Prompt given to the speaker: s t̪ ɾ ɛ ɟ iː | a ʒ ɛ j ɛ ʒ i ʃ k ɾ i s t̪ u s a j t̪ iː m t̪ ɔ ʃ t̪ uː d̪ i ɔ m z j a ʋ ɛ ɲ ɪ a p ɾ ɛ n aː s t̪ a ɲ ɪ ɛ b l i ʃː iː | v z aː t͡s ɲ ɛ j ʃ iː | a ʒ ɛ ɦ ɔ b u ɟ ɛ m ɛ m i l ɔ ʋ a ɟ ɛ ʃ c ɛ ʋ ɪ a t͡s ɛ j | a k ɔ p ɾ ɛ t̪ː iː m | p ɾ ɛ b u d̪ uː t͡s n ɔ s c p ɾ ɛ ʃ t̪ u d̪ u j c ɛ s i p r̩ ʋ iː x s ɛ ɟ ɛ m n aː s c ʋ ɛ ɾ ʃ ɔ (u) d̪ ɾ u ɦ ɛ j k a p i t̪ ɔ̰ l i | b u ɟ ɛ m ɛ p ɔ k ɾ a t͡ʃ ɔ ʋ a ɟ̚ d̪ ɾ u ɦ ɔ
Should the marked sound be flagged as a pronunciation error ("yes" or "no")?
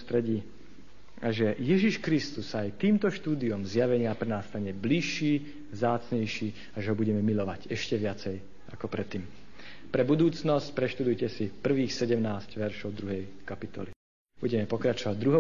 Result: yes